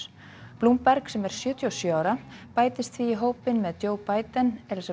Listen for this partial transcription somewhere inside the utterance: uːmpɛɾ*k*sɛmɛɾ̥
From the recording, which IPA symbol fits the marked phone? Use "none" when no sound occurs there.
k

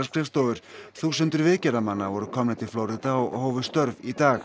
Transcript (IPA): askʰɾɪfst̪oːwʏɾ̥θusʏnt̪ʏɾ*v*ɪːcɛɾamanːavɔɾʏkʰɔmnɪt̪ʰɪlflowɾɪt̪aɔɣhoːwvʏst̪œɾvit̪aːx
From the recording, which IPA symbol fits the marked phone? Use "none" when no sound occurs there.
v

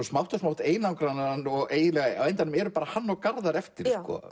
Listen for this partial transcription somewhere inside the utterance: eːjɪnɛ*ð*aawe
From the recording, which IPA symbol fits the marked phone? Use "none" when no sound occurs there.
ɣ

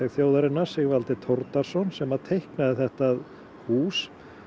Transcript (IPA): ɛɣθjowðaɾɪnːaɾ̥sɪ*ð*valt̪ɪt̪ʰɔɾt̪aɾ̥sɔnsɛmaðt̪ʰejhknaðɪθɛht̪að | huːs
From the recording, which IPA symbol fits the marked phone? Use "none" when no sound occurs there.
ɣ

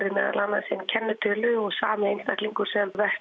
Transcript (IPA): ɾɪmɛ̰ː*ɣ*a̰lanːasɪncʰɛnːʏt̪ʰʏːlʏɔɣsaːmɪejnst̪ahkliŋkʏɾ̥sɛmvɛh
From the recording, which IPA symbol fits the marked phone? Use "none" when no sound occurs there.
ð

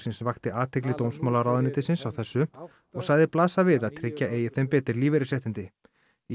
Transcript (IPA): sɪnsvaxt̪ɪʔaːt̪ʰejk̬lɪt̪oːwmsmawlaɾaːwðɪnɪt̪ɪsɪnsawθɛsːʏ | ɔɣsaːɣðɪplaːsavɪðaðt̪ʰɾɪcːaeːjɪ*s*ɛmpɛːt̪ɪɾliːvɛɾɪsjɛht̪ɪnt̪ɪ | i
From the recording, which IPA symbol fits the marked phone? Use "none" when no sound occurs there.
θ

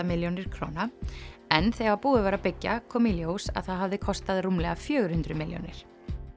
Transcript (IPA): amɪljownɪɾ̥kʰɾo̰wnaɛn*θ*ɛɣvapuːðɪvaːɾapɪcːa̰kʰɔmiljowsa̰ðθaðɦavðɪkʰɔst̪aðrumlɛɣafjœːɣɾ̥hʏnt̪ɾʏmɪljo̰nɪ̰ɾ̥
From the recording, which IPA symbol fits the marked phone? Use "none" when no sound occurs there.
θ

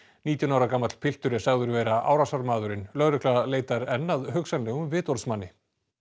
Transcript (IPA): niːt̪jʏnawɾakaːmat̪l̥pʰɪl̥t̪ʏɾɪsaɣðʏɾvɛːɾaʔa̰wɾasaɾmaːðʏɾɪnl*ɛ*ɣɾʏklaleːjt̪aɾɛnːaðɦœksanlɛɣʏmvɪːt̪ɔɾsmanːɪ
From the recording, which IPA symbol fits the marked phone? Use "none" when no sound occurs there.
œ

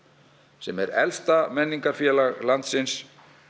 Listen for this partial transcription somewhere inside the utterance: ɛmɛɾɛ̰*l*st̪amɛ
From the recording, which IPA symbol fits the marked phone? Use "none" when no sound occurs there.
l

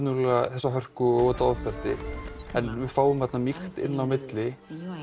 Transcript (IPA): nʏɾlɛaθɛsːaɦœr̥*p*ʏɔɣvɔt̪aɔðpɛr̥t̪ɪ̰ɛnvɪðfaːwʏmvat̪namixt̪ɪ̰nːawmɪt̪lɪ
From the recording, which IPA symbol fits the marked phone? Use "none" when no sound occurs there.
k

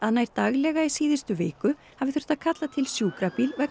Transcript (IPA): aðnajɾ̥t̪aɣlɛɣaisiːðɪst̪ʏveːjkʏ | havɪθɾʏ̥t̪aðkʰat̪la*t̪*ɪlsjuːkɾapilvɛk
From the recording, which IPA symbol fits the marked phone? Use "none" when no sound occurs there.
t̪ʰ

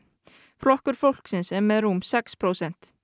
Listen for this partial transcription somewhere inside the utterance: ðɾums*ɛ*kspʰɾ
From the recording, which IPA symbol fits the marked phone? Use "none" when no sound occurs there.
ɛ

